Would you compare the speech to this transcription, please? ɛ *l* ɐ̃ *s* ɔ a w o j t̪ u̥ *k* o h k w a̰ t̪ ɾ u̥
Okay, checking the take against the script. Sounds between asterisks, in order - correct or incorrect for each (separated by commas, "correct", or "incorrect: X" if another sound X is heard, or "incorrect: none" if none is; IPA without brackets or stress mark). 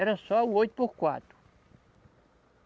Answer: incorrect: ɾ, correct, incorrect: p